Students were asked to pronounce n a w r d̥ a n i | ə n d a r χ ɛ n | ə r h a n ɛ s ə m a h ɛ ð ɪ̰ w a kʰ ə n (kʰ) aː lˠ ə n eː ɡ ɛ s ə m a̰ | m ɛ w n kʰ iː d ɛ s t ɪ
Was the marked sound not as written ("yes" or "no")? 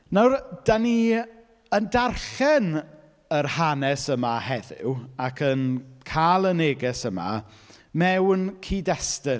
no